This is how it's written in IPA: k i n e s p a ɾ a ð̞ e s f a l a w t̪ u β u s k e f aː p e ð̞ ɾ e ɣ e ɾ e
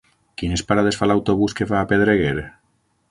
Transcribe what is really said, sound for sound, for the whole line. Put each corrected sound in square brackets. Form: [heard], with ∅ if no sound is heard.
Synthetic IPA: k i n e s p a ɾ a ð̞ e s f a l a w t̪ [o] β u s k e f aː p e ð̞ ɾ e ɣ e ɾ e